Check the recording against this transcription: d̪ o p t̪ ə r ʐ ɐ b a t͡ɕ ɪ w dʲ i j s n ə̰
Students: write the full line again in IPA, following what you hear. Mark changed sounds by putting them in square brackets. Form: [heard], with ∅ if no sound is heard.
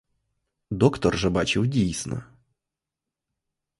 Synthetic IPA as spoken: d̪ o [k] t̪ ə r ʐ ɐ b a t͡ɕ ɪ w dʲ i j s n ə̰